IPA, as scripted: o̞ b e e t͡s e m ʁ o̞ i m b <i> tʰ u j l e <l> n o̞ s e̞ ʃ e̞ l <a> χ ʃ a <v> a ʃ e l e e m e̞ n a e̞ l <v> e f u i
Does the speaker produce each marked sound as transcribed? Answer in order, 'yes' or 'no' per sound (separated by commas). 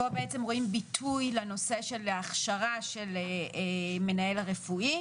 yes, no, yes, no, no